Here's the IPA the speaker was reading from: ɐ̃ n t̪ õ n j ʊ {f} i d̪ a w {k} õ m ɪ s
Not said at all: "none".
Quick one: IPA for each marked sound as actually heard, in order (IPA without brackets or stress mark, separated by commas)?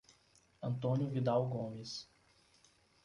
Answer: v, ɡ